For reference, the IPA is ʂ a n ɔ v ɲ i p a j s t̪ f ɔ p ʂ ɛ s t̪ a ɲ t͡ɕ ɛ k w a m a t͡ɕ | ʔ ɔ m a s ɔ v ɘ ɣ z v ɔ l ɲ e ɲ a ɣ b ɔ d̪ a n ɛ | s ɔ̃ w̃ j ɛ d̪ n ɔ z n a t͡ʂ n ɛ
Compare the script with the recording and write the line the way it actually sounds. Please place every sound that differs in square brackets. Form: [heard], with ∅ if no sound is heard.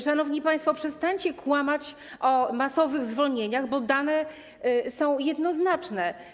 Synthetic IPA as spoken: ʂ a n ɔ v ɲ i p a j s t̪ f ɔ p ʂ ɛ s t̪ a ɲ t͡ɕ ɛ k w a m a t͡ɕ | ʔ ɔ m a s ɔ v ɘ ɣ z v ɔ l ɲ e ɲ a ɣ b ɔ d̪ a n ɛ | s ɔ̃ w̃ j ɛ d̪ n ɔ z n a t͡ʂ n ɛ

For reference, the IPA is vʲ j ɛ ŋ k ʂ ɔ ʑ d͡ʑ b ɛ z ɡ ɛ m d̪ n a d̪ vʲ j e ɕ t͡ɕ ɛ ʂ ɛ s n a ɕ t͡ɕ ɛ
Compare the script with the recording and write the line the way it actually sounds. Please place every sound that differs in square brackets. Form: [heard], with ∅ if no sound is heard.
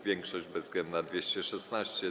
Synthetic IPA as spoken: vʲ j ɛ ŋ k ʂ ɔ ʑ d͡ʑ b ɛ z ɡ ɛ [n] d̪ n a d̪ vʲ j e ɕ t͡ɕ ɛ ʂ ɛ s n a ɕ t͡ɕ ɛ

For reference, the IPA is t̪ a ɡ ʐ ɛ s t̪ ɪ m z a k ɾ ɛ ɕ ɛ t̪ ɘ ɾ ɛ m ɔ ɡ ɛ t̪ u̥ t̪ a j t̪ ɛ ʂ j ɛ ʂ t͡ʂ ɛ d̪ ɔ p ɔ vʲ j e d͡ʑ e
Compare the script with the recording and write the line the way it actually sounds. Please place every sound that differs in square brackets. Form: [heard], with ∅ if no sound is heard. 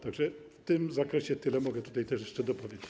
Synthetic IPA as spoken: t̪ a ɡ ʐ ɛ [f] t̪ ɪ m z a k ɾ ɛ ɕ ɛ t̪ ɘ [l] ɛ m ɔ ɡ ɛ t̪ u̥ t̪ a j t̪ ɛ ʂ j ɛ ʂ t͡ʂ ɛ d̪ ɔ p ɔ vʲ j e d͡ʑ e

